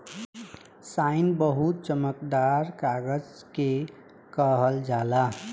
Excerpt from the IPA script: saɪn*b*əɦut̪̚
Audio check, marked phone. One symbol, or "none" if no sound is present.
b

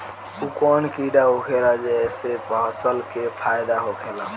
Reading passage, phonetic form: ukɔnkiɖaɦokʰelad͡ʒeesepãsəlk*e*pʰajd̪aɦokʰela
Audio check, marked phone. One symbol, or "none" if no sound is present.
e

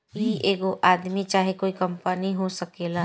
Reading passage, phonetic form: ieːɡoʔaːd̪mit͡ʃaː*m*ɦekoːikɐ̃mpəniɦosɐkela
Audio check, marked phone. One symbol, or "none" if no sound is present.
none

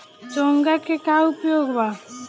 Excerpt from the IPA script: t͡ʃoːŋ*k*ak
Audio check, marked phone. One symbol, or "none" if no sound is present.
ɡ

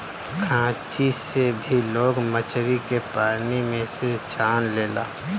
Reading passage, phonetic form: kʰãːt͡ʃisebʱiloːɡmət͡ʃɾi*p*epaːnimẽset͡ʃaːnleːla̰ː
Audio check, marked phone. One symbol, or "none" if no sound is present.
k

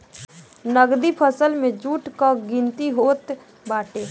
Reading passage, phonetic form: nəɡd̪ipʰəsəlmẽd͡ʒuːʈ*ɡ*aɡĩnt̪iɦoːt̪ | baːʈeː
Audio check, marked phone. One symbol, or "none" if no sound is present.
k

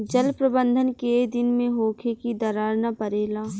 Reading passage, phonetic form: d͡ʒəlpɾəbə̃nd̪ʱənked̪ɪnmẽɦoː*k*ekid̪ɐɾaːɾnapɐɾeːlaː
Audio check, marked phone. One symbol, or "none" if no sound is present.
kʰ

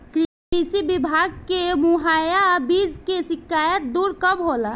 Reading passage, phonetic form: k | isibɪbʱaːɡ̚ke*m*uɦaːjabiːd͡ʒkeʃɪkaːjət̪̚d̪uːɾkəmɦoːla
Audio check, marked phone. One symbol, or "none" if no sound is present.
m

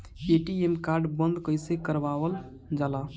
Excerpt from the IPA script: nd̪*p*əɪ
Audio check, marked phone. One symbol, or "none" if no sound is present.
k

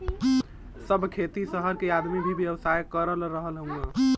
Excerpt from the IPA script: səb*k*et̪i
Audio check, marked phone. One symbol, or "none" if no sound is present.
kʰ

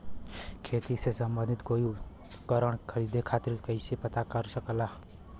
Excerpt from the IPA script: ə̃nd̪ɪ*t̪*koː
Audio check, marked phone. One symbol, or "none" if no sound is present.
t̪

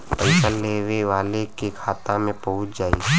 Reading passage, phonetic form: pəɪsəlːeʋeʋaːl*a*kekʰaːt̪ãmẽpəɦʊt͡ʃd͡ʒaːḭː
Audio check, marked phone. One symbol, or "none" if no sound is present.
e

